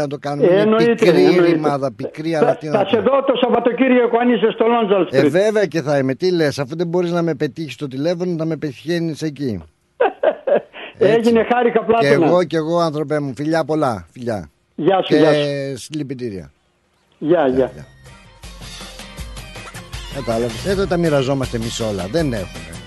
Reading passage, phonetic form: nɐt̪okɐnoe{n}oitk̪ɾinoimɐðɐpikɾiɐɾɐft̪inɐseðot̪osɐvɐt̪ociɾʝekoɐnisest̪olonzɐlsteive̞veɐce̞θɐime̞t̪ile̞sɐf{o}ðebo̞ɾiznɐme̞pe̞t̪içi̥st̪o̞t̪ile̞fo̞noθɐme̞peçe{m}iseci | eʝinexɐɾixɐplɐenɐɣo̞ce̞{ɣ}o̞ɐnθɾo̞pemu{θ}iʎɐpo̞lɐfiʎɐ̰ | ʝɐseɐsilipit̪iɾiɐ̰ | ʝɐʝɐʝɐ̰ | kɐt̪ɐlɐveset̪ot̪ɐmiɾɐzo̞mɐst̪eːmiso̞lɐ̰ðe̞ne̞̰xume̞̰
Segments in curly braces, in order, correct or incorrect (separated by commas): correct, incorrect, incorrect, correct, incorrect